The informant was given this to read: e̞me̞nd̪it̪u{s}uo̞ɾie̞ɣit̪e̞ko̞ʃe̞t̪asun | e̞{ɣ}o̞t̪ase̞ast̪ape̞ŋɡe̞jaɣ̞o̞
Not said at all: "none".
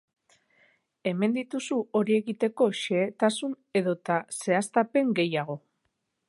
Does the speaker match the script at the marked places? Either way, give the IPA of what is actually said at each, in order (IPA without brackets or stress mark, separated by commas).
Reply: s, ð